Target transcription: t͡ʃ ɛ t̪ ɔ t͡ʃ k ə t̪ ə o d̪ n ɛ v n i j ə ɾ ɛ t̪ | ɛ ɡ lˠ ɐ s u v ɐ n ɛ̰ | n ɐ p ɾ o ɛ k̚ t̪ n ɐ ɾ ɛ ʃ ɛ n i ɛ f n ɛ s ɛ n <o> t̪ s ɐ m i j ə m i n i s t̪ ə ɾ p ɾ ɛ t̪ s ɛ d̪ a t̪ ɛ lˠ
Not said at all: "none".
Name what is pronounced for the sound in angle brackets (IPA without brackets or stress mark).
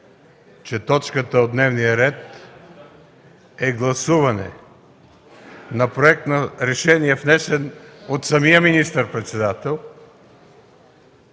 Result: o